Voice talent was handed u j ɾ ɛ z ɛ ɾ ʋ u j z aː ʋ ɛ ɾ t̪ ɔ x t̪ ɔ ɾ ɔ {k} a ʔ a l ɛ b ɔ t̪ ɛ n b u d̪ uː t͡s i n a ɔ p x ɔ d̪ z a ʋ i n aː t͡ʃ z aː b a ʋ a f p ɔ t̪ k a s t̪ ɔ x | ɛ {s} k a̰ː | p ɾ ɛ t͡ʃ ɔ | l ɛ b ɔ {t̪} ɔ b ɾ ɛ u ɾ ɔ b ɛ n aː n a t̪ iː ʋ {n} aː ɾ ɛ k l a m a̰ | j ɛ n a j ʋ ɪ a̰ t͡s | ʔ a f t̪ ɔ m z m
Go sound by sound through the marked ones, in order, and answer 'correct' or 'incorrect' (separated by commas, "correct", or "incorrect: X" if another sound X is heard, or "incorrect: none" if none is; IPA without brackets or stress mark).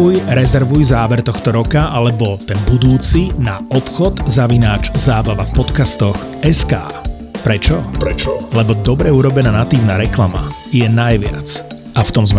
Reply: correct, correct, incorrect: d̪, correct